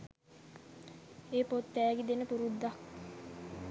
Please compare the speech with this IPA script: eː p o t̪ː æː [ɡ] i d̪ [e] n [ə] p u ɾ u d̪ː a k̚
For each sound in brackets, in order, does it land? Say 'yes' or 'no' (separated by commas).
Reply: yes, yes, yes